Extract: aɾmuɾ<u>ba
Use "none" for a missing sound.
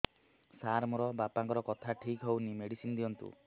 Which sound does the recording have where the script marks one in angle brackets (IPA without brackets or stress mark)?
ɔ